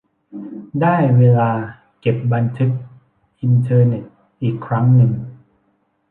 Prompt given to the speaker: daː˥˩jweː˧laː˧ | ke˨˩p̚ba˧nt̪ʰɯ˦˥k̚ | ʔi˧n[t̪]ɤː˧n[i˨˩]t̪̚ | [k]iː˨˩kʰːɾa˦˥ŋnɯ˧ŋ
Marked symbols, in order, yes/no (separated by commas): no, no, no